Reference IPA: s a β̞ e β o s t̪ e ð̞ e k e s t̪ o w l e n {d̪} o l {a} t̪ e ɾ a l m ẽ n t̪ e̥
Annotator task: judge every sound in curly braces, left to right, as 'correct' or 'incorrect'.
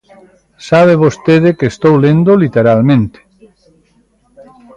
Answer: correct, incorrect: i

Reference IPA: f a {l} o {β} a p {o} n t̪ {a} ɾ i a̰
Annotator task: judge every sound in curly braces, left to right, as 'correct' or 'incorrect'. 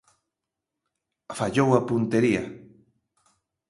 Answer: incorrect: ʎ, incorrect: w, incorrect: u, incorrect: e

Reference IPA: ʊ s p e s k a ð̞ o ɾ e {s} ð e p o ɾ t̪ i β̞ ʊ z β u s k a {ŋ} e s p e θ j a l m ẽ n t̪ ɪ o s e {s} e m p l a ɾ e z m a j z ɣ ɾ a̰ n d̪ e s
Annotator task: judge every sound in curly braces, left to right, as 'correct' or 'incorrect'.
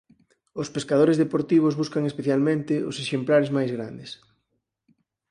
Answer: incorrect: z, correct, incorrect: ʃ

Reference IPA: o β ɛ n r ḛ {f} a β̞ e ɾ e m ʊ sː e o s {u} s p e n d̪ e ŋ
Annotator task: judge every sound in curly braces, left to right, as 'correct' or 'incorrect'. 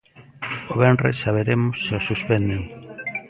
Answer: incorrect: s, correct

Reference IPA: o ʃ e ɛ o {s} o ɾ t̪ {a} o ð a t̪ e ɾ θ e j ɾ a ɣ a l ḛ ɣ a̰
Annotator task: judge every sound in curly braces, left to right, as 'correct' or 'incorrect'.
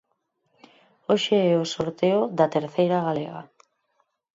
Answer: correct, incorrect: e

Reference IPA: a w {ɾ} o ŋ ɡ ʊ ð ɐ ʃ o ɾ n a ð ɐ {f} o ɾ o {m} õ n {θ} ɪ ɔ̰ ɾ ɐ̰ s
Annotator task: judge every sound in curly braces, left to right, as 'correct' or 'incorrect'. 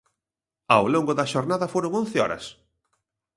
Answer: incorrect: l, correct, incorrect: ŋ, correct

